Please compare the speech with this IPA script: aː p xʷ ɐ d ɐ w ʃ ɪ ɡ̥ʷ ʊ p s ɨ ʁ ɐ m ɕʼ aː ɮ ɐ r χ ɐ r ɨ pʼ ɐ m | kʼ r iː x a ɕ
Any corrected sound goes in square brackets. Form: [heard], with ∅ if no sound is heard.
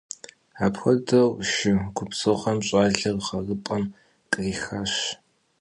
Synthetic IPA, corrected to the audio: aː p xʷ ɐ d ɐ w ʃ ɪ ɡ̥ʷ ʊ p s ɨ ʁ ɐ m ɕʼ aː ɮ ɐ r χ ɐ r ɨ pʼ ɐ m | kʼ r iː x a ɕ